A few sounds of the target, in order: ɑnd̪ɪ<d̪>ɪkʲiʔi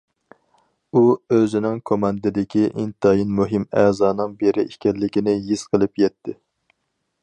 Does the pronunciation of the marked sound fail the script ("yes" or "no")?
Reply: no